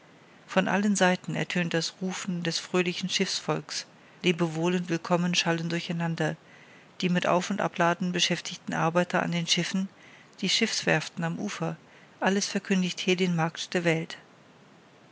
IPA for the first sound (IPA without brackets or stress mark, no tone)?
f